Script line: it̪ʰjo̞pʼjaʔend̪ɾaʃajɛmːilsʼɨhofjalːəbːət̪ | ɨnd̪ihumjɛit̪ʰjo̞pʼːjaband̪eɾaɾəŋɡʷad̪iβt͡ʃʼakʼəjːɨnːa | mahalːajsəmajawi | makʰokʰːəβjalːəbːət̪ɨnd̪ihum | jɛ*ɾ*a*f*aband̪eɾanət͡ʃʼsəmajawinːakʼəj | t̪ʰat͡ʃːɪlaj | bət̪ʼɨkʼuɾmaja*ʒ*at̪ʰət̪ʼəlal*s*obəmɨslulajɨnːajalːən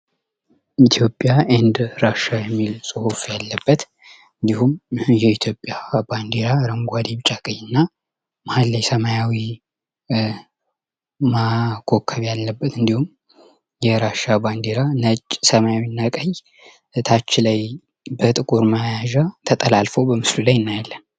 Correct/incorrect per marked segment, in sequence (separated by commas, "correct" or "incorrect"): correct, incorrect, correct, incorrect